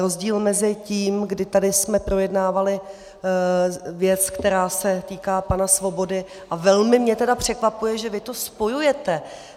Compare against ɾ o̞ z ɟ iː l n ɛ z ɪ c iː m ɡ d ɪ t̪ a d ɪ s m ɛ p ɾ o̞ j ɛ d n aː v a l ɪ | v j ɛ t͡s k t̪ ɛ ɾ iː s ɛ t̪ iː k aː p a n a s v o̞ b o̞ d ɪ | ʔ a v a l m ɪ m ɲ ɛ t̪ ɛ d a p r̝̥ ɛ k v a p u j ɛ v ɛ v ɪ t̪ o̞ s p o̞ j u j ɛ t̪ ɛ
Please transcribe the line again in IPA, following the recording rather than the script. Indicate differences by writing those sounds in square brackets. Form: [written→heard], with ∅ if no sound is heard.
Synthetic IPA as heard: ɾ o̞ z ɟ iː l [n→m] ɛ z ɪ c iː m ɡ d ɪ t̪ a d ɪ s m ɛ p ɾ o̞ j ɛ d n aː v a l ɪ | v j ɛ t͡s k t̪ ɛ ɾ [iː→aː] s ɛ t̪ iː k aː p a n a s v o̞ b o̞ d ɪ | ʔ a v [a→ɛ] l m ɪ m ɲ ɛ t̪ ɛ d a p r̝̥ ɛ k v a p u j ɛ [v→ʒ] ɛ v ɪ t̪ o̞ s p o̞ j u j ɛ t̪ ɛ